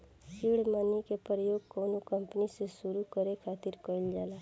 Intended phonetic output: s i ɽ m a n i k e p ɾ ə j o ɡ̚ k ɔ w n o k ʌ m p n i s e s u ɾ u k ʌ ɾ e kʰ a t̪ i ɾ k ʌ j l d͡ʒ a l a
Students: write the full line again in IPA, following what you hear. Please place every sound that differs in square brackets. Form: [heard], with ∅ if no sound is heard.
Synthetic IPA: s i ɽ m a n i k e p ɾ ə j o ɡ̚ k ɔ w n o k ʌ m p n i s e s u ɾ u k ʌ ɾ e kʰ a t̪ i ɾ k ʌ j l d͡ʒ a l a